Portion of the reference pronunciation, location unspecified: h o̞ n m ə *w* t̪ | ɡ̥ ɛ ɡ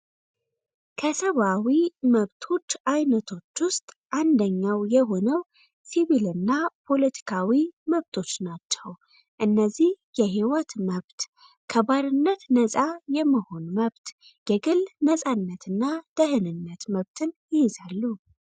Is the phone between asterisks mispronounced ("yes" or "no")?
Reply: yes